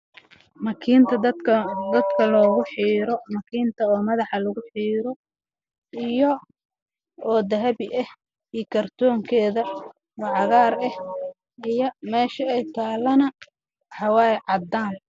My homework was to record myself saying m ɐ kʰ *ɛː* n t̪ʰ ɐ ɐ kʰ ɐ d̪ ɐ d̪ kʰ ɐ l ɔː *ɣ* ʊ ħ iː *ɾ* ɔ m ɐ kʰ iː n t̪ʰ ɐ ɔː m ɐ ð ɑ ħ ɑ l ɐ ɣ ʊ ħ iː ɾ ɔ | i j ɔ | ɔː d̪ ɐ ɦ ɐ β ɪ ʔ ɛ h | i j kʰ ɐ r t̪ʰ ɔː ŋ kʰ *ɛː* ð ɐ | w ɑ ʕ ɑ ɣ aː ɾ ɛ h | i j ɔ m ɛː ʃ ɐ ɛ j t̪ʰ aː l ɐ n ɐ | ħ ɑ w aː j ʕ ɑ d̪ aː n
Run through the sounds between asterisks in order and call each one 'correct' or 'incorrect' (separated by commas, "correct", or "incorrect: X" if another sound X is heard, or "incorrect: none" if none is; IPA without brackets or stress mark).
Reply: incorrect: iː, correct, correct, correct